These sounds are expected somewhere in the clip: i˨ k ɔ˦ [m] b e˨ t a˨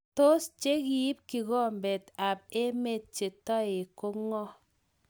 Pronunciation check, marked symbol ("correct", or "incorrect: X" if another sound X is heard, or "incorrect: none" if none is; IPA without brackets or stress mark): correct